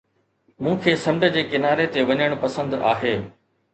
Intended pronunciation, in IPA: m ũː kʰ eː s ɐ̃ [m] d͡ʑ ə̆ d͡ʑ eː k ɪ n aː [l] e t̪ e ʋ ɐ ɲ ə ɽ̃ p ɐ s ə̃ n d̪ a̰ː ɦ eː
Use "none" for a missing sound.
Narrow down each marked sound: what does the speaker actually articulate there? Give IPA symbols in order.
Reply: m, ɾ

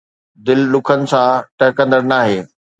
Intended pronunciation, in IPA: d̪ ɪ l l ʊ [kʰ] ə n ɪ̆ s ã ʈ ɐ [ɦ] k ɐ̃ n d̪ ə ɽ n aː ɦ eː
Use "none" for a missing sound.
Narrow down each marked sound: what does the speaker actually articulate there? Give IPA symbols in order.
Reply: kʰ, ɦ

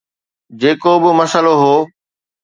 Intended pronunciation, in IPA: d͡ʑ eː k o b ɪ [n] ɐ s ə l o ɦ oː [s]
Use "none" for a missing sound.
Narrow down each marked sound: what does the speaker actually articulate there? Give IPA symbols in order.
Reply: m, none

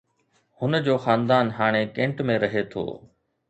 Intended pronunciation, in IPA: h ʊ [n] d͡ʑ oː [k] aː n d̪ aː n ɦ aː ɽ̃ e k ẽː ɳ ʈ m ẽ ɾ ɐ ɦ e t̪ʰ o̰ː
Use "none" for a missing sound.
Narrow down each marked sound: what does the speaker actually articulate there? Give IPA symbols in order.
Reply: n, x

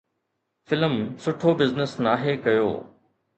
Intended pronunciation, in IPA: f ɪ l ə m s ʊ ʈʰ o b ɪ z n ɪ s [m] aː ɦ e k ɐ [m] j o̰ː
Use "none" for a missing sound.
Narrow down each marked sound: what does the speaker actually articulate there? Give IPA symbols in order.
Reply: n, none

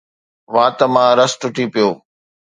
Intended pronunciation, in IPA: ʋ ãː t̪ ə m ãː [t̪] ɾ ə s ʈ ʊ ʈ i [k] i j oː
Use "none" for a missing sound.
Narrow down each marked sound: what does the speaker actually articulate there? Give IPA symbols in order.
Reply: none, p

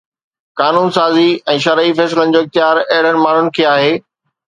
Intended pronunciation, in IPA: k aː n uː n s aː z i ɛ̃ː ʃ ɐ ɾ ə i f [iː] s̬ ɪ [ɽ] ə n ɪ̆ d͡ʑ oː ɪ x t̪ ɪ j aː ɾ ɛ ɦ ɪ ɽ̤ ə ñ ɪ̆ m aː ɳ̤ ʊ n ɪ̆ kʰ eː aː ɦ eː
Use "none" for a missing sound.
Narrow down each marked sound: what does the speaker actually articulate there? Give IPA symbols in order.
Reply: ɛː, l

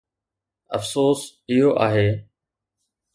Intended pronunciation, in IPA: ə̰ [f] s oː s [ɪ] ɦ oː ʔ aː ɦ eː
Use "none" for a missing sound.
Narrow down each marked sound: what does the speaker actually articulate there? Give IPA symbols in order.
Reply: f, ɪ

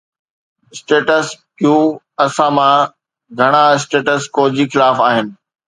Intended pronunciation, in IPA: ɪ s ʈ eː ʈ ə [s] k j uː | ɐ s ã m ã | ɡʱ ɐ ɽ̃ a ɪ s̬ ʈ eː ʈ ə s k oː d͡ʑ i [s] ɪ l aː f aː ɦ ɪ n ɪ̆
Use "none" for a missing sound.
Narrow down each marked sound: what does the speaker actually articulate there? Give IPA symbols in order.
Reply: s, x

